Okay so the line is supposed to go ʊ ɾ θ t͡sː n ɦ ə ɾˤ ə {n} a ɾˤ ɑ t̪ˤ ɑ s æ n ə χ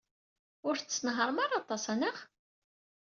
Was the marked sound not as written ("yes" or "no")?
yes